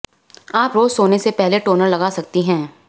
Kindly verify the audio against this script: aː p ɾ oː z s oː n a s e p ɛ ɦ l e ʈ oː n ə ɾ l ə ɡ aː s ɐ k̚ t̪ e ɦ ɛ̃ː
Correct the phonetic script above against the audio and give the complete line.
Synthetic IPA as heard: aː p ɾ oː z s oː n e s e p ɛ ɦ l e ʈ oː n ə ɾ l ɐ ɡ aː s ɐ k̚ t̪ i ɦ ɛ̃ː